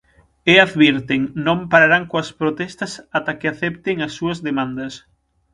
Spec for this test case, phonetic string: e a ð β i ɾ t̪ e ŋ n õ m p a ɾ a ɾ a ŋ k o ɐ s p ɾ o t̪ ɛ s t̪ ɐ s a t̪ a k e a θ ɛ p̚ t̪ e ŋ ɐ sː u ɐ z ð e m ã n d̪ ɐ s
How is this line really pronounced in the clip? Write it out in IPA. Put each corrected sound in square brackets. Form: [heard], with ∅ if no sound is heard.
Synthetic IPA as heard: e a ð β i ɾ t̪ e ŋ n õ m p a ɾ a ɾ a ŋ k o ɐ s p ɾ o t̪ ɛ s t̪ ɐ s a t̪ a k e a θ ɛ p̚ t̪ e ŋ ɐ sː u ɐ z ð e m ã n d̪ ɐ s